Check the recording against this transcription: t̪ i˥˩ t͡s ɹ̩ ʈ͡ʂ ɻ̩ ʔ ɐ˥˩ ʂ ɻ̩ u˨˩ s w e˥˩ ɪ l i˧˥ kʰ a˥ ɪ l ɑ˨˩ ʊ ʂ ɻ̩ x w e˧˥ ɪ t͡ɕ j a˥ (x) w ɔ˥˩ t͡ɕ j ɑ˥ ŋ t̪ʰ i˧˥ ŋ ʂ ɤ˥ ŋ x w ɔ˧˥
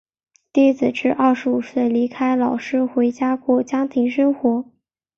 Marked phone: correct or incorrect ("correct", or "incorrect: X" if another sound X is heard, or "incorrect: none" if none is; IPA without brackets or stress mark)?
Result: incorrect: k